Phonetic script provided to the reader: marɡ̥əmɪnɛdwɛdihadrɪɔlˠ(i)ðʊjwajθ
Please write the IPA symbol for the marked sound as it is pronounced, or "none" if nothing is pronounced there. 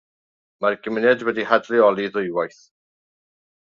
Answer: i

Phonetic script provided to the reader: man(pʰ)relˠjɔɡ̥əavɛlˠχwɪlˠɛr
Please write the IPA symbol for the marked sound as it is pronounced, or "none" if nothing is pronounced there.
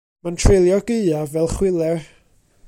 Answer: tʰ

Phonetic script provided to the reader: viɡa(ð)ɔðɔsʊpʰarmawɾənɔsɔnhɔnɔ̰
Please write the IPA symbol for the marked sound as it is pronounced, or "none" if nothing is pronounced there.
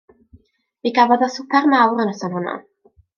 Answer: v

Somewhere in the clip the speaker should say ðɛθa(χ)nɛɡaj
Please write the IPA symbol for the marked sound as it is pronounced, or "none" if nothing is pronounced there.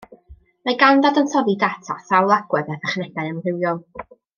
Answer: χ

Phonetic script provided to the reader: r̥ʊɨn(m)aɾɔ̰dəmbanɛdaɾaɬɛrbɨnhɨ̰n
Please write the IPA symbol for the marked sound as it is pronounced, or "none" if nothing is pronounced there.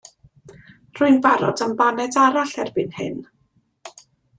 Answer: b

